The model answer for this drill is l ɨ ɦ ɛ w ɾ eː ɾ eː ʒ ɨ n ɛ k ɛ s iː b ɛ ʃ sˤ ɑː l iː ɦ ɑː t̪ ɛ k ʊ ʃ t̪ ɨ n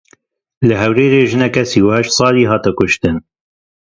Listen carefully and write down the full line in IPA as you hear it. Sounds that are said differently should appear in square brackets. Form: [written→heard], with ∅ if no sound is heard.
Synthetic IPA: l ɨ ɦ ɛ w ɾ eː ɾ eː ʒ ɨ n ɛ k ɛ s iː [b→w] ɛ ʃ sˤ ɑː l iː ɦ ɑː t̪ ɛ k ʊ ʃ t̪ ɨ n